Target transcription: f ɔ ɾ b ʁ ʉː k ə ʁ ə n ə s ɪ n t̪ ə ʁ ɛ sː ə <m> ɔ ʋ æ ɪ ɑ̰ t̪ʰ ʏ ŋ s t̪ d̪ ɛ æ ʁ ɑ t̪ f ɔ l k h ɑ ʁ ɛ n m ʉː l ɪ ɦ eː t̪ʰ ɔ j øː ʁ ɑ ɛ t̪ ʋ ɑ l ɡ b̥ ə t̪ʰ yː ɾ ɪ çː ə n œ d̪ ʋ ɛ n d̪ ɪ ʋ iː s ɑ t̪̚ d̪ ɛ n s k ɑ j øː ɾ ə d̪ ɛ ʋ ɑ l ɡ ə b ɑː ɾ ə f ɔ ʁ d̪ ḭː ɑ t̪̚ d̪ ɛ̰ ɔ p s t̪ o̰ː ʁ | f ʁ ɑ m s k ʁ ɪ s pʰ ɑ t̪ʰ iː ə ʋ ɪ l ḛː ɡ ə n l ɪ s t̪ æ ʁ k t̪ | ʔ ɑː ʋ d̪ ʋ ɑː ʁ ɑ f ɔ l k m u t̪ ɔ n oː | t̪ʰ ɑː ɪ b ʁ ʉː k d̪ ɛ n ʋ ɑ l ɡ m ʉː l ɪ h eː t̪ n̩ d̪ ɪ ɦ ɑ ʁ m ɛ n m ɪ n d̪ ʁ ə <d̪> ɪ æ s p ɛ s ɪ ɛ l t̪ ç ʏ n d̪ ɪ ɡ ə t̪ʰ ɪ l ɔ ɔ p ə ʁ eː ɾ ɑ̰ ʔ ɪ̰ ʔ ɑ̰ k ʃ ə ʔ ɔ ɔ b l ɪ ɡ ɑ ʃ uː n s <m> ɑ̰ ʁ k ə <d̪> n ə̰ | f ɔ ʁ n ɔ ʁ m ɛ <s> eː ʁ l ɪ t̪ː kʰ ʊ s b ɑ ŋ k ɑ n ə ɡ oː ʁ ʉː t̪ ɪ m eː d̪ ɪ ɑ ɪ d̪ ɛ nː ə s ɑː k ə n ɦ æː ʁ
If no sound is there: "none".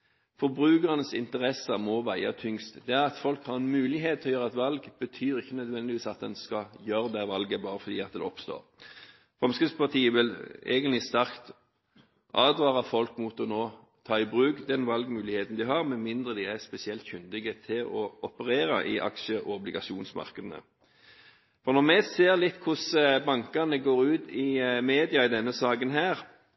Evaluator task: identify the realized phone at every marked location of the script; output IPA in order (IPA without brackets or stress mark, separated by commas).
m, d̪, m, d̪, s